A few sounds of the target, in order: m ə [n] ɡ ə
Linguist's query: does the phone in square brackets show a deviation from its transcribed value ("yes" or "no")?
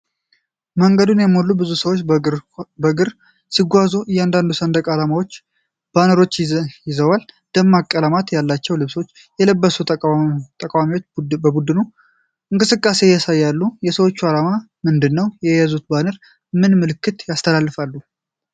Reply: yes